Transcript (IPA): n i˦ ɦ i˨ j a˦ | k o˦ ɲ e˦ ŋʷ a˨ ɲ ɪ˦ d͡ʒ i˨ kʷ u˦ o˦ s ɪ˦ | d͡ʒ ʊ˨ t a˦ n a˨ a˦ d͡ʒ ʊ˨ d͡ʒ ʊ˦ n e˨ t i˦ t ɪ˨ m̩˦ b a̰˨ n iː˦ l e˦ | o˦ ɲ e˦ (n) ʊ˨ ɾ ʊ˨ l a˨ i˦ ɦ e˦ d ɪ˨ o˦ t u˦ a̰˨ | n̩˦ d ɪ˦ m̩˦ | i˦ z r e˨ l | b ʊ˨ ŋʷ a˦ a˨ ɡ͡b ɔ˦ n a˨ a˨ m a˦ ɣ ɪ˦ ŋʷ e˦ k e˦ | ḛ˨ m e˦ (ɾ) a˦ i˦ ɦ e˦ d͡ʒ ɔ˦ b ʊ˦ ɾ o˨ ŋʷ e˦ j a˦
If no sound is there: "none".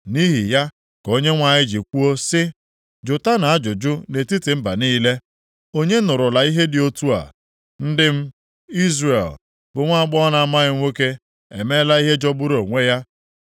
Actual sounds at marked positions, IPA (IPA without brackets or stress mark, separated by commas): n, l